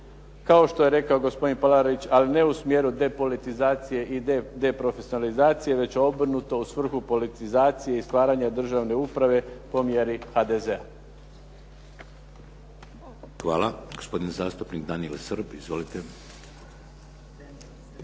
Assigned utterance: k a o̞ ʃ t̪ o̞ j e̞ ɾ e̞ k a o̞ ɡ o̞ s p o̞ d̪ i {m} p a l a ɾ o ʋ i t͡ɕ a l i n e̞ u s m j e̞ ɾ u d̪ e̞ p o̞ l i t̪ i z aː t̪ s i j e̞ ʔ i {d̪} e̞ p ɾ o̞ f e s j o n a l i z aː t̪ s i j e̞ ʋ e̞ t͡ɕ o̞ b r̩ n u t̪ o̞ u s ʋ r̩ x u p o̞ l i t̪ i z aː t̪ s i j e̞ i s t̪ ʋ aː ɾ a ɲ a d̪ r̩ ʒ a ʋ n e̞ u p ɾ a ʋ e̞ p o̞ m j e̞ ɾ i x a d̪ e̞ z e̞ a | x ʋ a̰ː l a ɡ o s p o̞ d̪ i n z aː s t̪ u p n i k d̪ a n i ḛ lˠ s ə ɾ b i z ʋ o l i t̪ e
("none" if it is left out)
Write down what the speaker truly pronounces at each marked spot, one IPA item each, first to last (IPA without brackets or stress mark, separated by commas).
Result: n, d̪